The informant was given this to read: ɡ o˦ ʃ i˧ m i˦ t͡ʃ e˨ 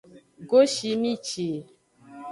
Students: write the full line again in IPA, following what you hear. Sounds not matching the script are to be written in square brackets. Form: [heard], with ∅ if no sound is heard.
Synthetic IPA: ɡ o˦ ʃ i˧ m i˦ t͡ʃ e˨